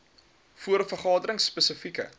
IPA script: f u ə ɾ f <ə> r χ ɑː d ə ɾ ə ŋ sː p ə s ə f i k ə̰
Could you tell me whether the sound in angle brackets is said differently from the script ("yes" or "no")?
no